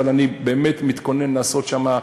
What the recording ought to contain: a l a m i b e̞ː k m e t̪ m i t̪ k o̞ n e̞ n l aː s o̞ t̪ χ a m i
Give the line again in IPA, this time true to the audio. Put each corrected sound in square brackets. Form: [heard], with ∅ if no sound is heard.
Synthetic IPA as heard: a l a [n] i b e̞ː [∅] m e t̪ m i t̪ k o̞ n e̞ n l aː s o̞ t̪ [ʃ] a m [a]